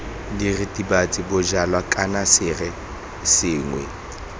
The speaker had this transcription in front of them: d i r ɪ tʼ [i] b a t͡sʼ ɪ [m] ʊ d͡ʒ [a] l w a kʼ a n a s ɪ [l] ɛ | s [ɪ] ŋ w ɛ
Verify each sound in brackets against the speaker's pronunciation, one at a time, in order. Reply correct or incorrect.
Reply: correct, incorrect: b, correct, incorrect: r, incorrect: ɪː

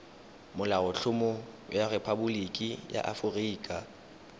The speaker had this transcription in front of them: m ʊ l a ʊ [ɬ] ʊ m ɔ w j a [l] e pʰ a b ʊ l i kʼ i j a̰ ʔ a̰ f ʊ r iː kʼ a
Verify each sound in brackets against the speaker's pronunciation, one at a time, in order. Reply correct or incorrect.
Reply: correct, incorrect: r

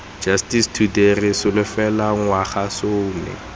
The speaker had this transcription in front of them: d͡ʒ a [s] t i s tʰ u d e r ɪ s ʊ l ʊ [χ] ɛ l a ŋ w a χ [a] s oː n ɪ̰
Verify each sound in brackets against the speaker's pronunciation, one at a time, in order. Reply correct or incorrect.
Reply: correct, incorrect: f, correct

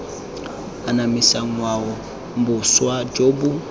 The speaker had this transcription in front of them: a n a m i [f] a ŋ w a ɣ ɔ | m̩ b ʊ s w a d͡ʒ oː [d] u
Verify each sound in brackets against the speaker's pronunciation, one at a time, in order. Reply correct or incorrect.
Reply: incorrect: s, incorrect: b

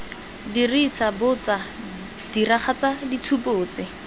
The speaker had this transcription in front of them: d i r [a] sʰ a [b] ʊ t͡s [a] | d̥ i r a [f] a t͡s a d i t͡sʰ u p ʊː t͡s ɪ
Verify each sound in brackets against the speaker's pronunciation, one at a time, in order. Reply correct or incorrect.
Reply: incorrect: i, correct, correct, incorrect: χ

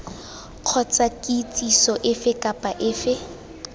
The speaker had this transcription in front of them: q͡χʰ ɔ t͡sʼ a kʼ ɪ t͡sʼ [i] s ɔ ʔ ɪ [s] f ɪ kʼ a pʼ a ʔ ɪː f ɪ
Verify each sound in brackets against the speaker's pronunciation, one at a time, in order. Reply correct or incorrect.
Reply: correct, incorrect: none

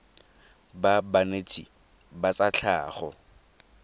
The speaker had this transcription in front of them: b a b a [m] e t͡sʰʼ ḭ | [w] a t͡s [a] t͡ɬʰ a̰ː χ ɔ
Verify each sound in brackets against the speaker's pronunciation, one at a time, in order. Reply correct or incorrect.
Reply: incorrect: n, incorrect: b, correct

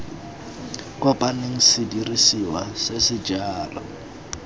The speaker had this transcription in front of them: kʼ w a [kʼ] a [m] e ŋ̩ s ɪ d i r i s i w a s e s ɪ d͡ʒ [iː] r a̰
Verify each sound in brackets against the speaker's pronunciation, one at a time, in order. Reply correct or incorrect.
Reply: incorrect: pʼ, incorrect: n, incorrect: aː

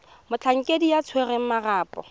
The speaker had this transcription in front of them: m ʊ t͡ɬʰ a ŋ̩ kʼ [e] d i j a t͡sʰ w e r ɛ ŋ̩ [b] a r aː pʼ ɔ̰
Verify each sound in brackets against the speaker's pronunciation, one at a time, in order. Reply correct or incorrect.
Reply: correct, incorrect: m

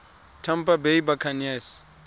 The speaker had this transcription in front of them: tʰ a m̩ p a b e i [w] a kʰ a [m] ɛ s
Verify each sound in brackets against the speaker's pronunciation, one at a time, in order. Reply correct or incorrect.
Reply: incorrect: b, incorrect: n

